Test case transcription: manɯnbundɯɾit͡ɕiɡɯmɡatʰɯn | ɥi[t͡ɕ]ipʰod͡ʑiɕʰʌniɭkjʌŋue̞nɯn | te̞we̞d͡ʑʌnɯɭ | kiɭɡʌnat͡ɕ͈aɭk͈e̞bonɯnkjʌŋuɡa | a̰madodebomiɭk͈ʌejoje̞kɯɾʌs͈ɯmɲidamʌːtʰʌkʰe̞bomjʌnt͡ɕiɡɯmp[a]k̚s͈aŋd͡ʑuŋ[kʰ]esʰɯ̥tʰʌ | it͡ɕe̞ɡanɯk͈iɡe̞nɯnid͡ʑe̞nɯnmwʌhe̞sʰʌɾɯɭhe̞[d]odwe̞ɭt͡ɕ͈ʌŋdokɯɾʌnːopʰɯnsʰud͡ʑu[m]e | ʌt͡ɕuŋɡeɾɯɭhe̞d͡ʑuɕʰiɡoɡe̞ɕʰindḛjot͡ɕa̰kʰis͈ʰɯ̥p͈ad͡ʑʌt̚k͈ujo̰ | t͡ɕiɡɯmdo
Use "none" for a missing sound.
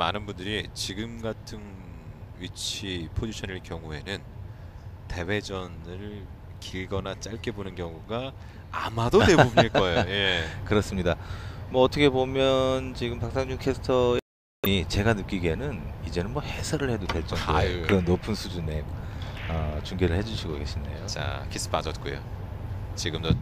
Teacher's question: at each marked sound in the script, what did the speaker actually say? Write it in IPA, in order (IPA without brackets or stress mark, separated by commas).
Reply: t͡ɕʰ, a, kʰ, d, n